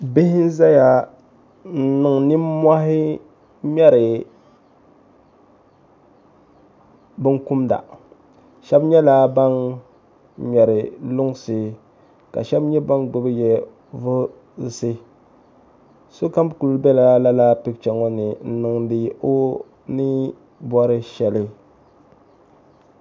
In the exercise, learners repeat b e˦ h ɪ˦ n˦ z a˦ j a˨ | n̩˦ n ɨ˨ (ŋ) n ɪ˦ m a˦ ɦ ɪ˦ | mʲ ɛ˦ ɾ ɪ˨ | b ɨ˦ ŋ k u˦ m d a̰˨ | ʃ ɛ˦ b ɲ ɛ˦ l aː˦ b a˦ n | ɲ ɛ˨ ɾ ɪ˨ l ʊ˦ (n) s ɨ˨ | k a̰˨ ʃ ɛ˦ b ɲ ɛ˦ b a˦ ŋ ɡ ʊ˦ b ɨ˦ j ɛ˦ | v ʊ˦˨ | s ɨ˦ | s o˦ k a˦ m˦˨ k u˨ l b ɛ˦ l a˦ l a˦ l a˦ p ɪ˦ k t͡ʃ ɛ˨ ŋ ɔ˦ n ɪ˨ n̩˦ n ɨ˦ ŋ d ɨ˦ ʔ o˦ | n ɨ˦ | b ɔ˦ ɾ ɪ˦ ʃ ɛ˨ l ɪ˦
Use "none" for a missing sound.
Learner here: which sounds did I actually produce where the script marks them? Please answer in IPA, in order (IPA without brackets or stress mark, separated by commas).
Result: ŋ, ŋ